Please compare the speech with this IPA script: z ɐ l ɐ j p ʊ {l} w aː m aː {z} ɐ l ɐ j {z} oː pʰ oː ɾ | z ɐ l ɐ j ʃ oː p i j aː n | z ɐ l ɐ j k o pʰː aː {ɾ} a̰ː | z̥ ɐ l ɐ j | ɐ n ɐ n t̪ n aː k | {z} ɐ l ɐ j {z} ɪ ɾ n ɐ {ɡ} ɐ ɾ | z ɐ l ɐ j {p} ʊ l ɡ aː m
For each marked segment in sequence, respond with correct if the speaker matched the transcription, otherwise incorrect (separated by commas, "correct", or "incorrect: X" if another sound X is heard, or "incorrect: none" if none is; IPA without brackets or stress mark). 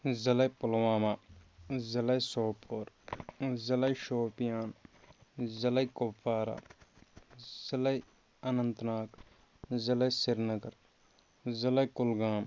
correct, correct, incorrect: s, correct, correct, incorrect: s, correct, incorrect: k